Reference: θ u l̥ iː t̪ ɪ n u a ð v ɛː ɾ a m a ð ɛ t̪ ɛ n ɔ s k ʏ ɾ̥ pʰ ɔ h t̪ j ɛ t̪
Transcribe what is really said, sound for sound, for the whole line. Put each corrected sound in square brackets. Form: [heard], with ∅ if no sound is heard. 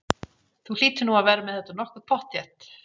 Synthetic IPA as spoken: θ u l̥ iː t̪ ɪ n u a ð v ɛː ɾ a m [ɛ] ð ɛ t̪ [a] n ɔ [h] k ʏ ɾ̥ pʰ ɔ h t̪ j ɛ t̪